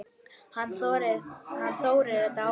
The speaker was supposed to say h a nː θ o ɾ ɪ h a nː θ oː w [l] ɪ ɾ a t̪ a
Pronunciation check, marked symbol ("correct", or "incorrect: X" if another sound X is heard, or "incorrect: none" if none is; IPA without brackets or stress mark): incorrect: ɾ